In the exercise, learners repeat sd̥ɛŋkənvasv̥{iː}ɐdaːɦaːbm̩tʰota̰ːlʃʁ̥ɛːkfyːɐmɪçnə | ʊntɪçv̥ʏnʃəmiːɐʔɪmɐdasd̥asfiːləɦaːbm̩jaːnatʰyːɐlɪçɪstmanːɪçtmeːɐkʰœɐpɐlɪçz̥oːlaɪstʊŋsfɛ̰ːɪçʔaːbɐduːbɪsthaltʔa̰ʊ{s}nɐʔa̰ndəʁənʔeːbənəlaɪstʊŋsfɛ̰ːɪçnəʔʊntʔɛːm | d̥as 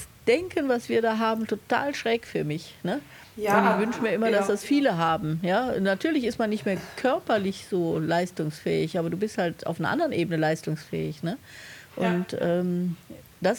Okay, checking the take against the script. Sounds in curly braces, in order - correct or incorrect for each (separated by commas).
correct, incorrect